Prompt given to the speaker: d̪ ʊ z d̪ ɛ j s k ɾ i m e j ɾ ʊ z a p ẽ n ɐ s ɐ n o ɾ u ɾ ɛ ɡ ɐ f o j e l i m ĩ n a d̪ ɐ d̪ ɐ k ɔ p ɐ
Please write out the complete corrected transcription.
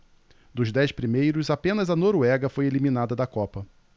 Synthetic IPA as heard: d̪ ʊ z d̪ ɛ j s p ɾ i m e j ɾ ʊ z a p ẽ n ɐ z ɐ n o ɾ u ɛ ɡ ɐ f o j e l i m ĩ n a d̪ ɐ d̪ ɐ k ɔ p ɐ